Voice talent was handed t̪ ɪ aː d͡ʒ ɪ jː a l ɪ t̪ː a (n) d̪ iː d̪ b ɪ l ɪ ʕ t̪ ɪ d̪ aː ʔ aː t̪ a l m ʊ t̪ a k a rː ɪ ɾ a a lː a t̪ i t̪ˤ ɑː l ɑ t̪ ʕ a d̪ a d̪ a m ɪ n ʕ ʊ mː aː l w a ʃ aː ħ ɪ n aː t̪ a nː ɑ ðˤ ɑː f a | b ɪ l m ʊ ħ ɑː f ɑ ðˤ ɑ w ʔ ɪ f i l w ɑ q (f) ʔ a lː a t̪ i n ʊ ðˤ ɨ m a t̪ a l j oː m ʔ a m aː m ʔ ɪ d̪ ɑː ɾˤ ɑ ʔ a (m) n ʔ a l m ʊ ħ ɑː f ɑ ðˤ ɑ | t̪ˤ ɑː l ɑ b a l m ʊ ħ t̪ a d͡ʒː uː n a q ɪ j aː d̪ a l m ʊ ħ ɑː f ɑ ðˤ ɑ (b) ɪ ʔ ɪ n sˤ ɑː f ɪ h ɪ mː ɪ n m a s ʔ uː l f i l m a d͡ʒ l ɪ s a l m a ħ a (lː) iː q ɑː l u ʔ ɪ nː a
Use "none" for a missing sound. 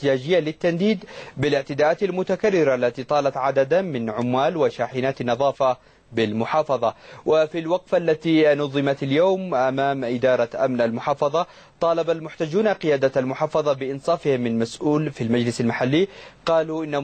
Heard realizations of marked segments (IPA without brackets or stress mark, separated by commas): n, f, m, b, lː